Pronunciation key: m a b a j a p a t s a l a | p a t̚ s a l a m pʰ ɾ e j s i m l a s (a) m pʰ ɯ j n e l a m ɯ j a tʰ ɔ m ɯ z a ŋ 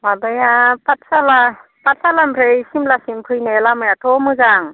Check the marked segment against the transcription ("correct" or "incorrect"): incorrect